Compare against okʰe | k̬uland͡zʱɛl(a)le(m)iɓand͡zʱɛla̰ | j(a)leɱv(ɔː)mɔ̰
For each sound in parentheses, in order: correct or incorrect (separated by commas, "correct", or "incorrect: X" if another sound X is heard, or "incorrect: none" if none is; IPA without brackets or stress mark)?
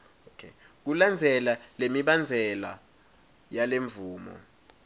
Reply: correct, correct, correct, incorrect: uː